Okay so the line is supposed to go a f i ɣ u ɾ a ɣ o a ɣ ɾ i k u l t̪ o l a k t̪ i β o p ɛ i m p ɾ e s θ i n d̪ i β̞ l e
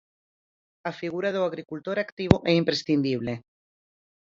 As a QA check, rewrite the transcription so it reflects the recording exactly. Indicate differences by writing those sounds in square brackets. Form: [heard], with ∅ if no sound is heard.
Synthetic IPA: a f i ɣ u ɾ a [ð] o a ɣ ɾ i k u l t̪ o [ɾ] a k t̪ i β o [ʔ] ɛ i m p ɾ e s θ i n d̪ i β̞ l e